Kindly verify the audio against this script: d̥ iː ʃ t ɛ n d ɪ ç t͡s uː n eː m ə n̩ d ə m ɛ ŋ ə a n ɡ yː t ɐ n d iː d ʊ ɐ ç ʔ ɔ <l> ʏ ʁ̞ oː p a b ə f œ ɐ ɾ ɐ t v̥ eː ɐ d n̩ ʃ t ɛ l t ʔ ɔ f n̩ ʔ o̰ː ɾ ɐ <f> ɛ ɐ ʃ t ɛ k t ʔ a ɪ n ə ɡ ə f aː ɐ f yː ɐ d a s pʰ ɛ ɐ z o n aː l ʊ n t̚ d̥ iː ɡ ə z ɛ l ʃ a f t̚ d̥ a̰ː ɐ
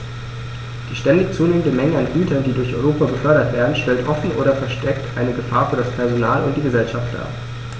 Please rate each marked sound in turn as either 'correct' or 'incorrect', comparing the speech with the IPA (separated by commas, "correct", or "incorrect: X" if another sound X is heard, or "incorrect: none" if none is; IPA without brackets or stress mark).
incorrect: none, correct